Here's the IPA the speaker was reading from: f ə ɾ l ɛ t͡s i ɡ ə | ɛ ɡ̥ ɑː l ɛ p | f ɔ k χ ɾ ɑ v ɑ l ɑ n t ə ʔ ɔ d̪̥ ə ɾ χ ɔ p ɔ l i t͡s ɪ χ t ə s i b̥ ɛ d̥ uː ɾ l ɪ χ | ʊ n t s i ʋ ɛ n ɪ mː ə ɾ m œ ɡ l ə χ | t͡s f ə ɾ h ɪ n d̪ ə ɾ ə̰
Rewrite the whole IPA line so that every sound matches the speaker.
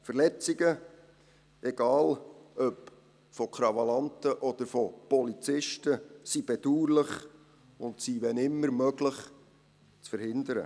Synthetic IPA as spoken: f ə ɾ l ɛ t͡s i ɡ ə | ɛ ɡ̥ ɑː l œ p | f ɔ k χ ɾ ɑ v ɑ l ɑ n t ə ʔ ɔ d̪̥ ə ɾ f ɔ p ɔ l i t͡s ɪ ʃ t ə s i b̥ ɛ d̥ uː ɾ l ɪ χ | ʊ n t s i ʋ ɛ n ɪ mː ə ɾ m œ ɡ l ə χ | t͡s f ə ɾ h ɪ n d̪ ə ɾ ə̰